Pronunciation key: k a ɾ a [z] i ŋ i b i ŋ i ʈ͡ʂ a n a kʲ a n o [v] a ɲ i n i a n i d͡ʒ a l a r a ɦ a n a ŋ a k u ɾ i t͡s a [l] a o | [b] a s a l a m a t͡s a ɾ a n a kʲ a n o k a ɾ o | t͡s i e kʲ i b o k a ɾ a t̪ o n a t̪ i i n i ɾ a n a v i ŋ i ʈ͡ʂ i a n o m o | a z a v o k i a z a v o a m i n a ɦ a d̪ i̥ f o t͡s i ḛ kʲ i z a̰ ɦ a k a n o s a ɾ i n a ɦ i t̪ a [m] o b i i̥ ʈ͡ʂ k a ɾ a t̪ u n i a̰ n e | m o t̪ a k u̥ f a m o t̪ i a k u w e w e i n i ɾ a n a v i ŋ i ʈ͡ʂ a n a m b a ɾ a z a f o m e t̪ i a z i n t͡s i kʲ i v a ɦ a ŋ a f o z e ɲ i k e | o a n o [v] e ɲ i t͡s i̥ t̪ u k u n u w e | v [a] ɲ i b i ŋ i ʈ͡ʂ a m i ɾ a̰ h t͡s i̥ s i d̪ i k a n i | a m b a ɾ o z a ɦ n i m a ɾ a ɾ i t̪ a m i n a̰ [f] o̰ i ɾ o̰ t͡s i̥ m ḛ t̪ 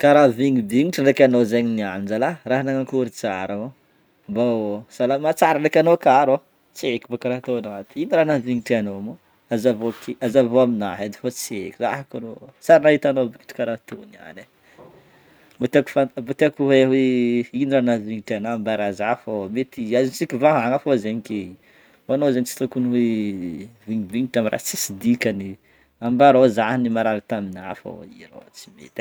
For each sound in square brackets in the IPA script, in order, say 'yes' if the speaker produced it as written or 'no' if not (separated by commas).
no, no, no, yes, no, no, no, yes